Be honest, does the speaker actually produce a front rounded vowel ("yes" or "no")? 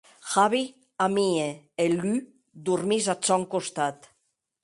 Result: yes